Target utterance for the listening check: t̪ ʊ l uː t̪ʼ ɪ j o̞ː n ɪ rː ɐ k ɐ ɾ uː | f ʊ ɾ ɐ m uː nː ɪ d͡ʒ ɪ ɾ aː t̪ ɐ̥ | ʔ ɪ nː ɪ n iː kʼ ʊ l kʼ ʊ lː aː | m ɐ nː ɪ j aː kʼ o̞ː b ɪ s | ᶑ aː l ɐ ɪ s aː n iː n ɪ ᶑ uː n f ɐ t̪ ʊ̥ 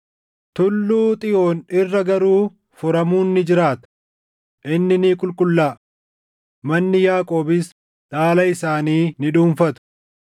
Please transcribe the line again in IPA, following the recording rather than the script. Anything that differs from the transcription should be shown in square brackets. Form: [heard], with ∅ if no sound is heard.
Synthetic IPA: t̪ ʊ [lː] uː t̪ʼ ɪ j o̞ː n ɪ rː ɐ [ɡ] ɐ ɾ uː | f ʊ ɾ ɐ m uː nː ɪ d͡ʒ ɪ ɾ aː t̪ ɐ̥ | ʔ ɪ nː ɪ n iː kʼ ʊ l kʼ ʊ lː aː | m ɐ nː ɪ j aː kʼ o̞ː b ɪ s | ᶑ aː l ɐ ɪ s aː n iː n ɪ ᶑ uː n f ɐ t̪ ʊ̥

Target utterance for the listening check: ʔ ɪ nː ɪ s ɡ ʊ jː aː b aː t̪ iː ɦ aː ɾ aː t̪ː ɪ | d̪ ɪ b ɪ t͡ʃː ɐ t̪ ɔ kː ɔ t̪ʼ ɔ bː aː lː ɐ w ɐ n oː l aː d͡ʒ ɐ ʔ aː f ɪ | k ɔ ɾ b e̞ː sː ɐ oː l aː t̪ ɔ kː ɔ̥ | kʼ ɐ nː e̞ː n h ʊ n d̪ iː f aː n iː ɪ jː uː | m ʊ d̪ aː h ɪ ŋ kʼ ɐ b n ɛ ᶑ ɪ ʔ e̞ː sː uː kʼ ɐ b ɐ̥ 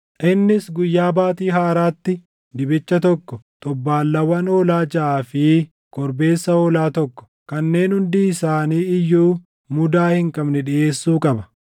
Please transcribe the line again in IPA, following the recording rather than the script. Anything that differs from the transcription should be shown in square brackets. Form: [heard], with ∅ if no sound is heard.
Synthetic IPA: ʔ ɪ nː ɪ s ɡ ʊ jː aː b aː t̪ iː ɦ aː ɾ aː t̪ː ɪ | d̪ ɪ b ɪ t͡ʃː ɐ t̪ ɔ kː ɔ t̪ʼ ɔ bː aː lː ɐ w ɐ n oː l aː d͡ʒ ɐ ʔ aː f ɪ | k ɔ ɾ b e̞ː sː ɐ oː l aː t̪ ɔ kː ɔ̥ | [k] ɐ nː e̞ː n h ʊ n d̪ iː [s] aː n iː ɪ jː uː | m ʊ d̪ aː h ɪ ŋ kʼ ɐ b n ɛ ᶑ ɪ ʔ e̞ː sː uː kʼ ɐ b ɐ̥

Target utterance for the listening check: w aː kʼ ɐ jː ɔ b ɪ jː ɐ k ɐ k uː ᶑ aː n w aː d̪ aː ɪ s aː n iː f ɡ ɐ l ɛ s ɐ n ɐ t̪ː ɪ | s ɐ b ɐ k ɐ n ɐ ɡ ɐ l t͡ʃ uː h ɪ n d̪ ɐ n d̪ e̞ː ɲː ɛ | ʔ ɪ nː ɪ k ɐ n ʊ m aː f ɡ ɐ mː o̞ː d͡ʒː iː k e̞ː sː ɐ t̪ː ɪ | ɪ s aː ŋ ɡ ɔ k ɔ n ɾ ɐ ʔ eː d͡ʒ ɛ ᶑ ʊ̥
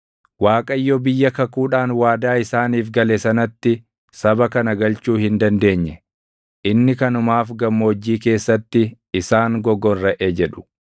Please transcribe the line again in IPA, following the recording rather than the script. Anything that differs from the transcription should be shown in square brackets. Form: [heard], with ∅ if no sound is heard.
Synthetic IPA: w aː kʼ ɐ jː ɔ b ɪ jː ɐ k ɐ k uː ᶑ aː n w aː d̪ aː ɪ s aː n iː f ɡ ɐ l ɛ s ɐ n ɐ t̪ː ɪ | s ɐ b ɐ k ɐ n ɐ ɡ ɐ l t͡ʃ uː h ɪ n d̪ ɐ n d̪ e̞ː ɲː ɛ | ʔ ɪ nː ɪ k ɐ n ʊ m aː f ɡ ɐ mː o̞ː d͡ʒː iː k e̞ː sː ɐ t̪ː ɪ | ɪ s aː ŋ ɡ ɔ [ɡ] ɔ n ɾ ɐ ʔ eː d͡ʒ ɛ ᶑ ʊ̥

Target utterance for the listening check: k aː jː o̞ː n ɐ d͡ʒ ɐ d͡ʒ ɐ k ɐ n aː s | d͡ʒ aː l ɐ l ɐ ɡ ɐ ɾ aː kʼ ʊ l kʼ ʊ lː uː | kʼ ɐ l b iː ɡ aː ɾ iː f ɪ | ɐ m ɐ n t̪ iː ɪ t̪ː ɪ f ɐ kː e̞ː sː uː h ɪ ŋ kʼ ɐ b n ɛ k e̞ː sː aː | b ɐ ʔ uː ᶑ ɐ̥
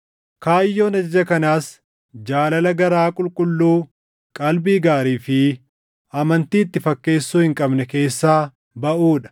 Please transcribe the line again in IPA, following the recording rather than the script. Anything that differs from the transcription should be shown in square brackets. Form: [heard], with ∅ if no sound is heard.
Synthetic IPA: k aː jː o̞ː n ɐ d͡ʒ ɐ d͡ʒ ɐ k ɐ n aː s | d͡ʒ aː l ɐ l ɐ ɡ ɐ ɾ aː kʼ ʊ l kʼ ʊ lː uː | kʼ ɐ l b iː ɡ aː ɾ iː f ɪ | ɐ m ɐ n t̪ iː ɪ t̪ː ɪ f ɐ kː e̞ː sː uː h ɪ ŋ kʼ ɐ b n ɛ k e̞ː sː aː | b ɐ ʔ uː ᶑ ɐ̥

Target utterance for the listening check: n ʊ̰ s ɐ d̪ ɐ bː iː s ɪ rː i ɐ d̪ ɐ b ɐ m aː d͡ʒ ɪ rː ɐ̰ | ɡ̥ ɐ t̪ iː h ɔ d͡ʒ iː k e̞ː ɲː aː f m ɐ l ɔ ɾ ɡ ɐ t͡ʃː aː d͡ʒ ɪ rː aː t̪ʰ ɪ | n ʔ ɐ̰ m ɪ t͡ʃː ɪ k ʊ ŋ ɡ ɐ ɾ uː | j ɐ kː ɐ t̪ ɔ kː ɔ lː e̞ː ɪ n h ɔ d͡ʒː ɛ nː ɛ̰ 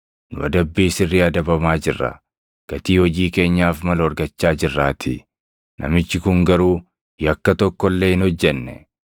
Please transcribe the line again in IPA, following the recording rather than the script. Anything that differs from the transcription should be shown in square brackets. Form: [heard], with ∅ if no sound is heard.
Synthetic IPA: n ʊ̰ [∅] ɐ d̪ ɐ bː iː s ɪ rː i ɐ d̪ ɐ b ɐ m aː d͡ʒ ɪ rː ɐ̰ | ɡ̥ ɐ t̪ iː h ɔ d͡ʒ iː k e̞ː ɲː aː f m ɐ l ɔ ɾ ɡ ɐ t͡ʃː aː d͡ʒ ɪ rː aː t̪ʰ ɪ | n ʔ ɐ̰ m ɪ t͡ʃː ɪ k ʊ ŋ ɡ ɐ ɾ uː | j ɐ kː ɐ t̪ ɔ kː ɔ lː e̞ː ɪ n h ɔ d͡ʒː ɛ nː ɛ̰

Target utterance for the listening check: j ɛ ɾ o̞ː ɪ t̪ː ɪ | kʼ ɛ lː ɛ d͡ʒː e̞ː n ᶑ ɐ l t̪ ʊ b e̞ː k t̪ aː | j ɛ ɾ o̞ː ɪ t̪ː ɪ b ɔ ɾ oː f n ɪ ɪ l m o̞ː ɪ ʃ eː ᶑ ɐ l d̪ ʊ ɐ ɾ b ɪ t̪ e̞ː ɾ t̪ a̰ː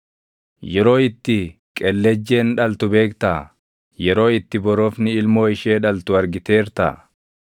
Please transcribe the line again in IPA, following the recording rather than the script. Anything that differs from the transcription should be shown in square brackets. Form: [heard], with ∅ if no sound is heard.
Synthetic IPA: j ɛ ɾ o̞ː ɪ t̪ː ɪ | kʼ ɛ lː ɛ d͡ʒː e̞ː n ᶑ ɐ l t̪ ʊ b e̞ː k t̪ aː | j ɛ ɾ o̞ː ɪ t̪ː ɪ b ɔ ɾ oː f n ɪ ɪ l m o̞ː ɪ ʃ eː ᶑ ɐ l [t̪] ʊ ɐ ɾ [ɡ] ɪ t̪ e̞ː ɾ t̪ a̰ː

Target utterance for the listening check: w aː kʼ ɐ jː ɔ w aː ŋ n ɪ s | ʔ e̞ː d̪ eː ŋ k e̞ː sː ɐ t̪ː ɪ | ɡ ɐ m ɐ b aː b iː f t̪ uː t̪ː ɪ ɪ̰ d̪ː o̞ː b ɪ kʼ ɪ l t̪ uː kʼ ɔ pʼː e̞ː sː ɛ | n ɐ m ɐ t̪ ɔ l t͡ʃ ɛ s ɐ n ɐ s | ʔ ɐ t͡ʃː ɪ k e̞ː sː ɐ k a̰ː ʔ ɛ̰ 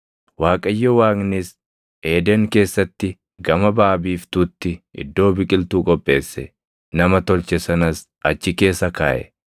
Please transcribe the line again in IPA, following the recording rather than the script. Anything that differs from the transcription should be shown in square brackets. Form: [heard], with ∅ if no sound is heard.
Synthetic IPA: w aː kʼ ɐ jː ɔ w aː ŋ n ɪ s | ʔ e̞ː d̪ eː ŋ k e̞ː sː ɐ t̪ː ɪ | ɡ ɐ m ɐ b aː b iː f t̪ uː t̪ː ɪ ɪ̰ d̪ː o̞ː b ɪ kʼ ɪ l t̪ uː kʼ ɔ pʼː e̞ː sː ɛ | n ɐ m ɐ t̪ ɔ l t͡ʃ ɛ s ɐ n ɐ s | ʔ ɐ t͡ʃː ɪ k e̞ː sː ɐ k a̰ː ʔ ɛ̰

